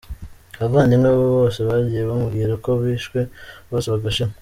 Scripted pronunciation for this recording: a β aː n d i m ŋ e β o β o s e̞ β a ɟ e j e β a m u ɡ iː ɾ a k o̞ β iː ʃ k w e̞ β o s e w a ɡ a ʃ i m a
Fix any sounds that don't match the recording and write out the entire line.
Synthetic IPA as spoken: a β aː n d i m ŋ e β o β o s e̞ β a ɟ i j e β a m u ɡ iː ɾ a k o̞ β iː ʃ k w e̞ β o s e β a ɡ a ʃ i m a